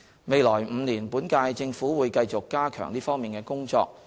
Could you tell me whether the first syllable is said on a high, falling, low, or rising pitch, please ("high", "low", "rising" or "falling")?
low